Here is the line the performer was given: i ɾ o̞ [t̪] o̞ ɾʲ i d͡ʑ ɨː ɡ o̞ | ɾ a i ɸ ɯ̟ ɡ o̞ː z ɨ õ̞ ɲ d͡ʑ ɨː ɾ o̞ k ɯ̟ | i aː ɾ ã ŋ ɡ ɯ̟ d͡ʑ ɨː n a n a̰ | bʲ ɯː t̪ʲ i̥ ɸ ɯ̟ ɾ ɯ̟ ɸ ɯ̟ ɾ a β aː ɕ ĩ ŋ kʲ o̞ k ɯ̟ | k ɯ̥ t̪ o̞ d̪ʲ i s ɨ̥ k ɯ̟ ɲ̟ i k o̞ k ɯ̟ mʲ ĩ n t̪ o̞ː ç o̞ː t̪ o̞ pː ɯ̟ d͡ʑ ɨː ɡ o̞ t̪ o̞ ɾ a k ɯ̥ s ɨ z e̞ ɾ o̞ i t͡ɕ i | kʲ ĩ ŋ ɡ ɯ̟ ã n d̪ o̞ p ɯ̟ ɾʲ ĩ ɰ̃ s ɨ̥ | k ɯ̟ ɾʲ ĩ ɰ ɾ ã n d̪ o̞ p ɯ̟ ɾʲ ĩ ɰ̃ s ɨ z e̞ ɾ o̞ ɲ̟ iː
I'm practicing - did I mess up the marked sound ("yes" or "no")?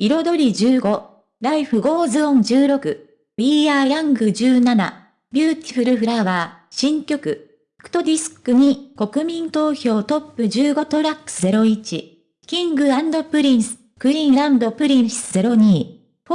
yes